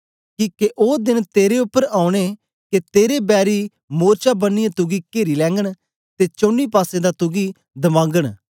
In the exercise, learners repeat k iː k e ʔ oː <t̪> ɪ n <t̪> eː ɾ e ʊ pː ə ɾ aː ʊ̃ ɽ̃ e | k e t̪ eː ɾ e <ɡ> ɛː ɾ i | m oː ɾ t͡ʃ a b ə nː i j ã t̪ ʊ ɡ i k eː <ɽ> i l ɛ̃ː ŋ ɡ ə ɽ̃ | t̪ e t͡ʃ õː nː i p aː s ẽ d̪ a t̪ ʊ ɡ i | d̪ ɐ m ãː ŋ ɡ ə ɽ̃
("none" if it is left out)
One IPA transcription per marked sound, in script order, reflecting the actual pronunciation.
d̪, t̪, b, ɾ

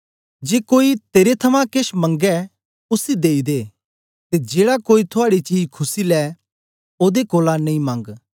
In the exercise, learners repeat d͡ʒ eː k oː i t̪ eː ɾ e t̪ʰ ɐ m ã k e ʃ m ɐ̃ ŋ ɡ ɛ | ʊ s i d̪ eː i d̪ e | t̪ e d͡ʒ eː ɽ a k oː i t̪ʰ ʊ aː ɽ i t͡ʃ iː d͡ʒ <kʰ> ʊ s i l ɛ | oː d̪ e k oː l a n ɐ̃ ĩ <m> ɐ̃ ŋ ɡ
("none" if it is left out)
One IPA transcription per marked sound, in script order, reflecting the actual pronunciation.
kʰ, m

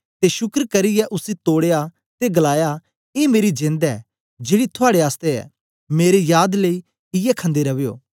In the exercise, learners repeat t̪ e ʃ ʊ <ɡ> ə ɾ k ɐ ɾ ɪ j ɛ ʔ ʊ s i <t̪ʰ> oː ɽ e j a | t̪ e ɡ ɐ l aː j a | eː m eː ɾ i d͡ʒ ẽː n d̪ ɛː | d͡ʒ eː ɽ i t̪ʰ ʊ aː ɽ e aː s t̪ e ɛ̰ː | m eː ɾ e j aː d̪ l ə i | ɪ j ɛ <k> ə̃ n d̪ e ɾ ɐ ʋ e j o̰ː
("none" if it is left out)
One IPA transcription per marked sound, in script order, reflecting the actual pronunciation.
k, t̪, kʰ

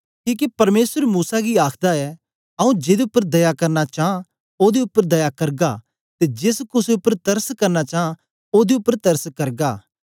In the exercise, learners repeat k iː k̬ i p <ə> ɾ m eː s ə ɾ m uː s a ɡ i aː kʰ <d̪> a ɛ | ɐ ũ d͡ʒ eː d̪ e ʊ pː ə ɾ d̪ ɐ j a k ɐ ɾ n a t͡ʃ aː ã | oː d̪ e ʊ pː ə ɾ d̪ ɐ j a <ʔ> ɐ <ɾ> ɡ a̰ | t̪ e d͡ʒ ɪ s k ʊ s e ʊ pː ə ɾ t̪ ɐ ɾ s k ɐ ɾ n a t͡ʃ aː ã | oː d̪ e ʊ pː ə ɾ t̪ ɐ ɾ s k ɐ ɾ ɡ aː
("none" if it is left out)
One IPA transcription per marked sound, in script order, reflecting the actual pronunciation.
ɐ, d̪, k, ɾ

